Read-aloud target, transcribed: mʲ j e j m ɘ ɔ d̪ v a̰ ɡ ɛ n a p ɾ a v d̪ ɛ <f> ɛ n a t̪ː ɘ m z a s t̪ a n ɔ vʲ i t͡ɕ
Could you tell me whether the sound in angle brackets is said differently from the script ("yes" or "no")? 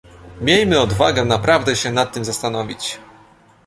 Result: yes